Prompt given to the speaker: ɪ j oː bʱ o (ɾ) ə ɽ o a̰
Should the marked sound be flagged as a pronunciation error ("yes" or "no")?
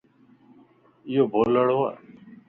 yes